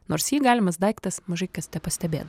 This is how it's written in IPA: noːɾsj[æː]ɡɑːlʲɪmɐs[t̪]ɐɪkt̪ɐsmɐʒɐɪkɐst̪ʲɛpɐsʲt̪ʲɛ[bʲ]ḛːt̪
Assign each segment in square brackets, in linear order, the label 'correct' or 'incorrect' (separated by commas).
incorrect, incorrect, correct